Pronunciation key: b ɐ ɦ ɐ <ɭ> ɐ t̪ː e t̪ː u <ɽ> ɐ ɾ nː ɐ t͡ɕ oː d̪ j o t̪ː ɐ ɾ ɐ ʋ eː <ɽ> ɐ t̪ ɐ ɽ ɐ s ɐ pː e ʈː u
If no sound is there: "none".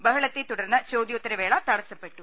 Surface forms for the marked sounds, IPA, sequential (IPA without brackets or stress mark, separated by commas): ɭ, ɽ, ɭ